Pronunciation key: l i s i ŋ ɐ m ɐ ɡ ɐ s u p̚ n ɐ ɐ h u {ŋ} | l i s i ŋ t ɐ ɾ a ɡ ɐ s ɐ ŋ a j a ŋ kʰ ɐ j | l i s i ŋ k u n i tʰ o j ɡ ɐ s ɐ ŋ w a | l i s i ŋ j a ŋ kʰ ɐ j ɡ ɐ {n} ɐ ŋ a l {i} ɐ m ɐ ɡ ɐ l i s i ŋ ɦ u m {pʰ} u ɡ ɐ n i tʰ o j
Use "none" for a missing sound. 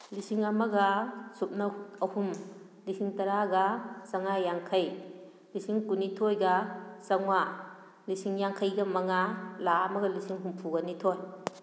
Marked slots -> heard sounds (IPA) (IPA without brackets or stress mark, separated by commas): m, m, a, pʰ